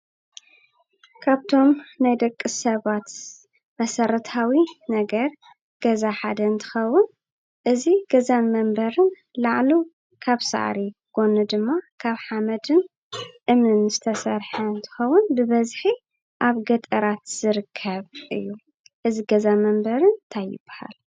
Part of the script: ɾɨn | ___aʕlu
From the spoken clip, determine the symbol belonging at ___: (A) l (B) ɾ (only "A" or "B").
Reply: A